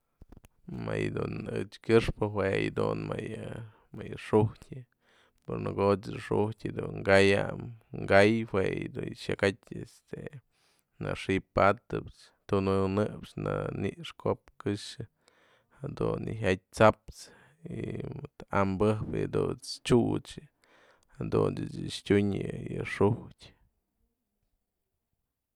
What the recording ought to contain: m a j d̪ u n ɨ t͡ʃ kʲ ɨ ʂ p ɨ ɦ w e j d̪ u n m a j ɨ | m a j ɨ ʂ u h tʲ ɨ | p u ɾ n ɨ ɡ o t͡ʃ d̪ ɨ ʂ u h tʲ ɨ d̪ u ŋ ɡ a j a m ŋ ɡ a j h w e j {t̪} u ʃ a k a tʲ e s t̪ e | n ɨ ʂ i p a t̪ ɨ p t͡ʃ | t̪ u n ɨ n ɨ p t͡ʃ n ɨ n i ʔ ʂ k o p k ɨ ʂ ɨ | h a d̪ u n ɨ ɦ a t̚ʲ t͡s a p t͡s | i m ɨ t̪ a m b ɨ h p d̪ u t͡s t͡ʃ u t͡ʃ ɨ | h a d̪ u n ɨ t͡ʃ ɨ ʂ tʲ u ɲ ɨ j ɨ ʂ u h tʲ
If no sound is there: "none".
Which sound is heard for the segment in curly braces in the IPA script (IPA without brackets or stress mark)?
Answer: d̪